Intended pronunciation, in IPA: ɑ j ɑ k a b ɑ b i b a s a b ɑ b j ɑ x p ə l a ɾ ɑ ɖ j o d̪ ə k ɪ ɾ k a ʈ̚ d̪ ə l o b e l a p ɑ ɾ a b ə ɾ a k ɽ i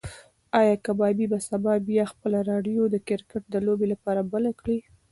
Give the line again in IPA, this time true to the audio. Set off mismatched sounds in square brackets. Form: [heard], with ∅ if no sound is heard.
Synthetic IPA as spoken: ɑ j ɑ k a b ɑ b i b a s a b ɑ b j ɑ x p ə l a ɾ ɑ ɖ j o d̪ ə k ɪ ɾ k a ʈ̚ d̪ ə l o b e l a p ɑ ɾ a b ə [l] a k ɽ i